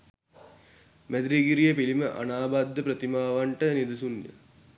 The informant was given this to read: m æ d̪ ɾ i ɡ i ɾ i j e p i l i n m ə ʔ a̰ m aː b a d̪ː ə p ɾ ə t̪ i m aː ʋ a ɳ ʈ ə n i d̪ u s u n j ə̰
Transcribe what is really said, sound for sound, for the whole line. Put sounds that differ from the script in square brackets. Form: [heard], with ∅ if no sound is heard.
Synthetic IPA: m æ d̪ ɾ i ɡ i ɾ i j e p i l i [∅] m ə ʔ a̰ [n] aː b a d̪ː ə p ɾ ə t̪ i m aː ʋ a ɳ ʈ ə n i d̪ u s u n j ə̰